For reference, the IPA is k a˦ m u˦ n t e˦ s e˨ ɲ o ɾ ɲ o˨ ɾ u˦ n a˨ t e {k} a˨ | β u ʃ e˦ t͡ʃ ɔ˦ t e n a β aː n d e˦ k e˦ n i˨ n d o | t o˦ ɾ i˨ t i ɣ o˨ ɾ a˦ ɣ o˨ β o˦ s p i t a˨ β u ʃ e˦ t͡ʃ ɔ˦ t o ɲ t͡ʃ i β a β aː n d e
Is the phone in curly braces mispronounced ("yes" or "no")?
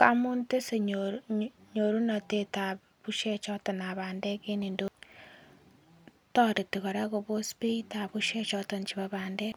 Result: yes